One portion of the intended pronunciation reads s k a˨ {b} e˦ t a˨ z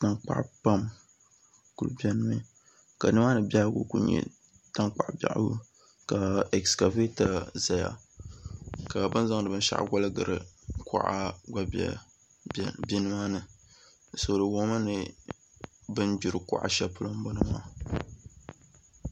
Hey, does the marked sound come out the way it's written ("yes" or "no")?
no